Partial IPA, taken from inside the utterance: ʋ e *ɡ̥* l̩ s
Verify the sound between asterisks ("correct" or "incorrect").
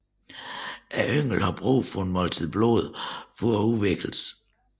correct